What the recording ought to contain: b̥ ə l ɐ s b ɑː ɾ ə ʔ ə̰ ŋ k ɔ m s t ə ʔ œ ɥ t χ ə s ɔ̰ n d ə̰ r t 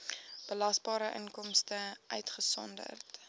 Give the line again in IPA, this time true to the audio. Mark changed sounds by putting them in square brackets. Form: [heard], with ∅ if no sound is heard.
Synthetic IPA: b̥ ə l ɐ s b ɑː ɾ ə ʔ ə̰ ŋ k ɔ m s t ə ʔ œ ɥ t χ ə s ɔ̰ n d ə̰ r t